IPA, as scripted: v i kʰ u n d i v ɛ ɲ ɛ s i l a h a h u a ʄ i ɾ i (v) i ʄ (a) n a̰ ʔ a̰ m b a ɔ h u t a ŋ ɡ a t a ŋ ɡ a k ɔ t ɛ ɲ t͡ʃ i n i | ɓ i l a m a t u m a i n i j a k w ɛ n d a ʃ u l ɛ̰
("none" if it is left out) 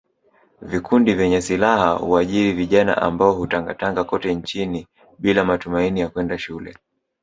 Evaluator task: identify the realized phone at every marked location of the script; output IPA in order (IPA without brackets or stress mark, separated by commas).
v, a